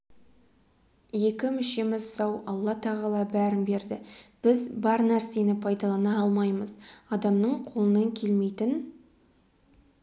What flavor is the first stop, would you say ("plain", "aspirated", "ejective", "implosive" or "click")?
plain